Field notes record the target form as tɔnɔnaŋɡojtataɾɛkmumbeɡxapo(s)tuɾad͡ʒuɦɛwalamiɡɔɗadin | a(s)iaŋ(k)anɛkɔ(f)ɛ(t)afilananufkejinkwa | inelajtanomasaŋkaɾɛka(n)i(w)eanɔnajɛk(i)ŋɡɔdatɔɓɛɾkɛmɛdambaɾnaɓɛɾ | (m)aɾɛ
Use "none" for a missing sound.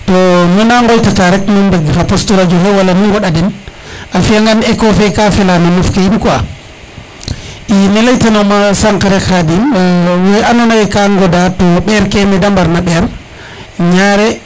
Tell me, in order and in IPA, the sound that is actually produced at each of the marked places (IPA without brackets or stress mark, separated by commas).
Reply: s, f, ɡ, f, k, d, w, a, ɲ